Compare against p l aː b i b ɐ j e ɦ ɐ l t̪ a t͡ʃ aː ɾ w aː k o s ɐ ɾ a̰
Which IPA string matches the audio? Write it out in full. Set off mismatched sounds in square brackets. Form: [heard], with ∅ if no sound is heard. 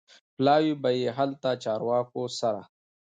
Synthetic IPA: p l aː [w] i b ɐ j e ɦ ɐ l t̪ a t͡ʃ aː ɾ w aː k o s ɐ ɾ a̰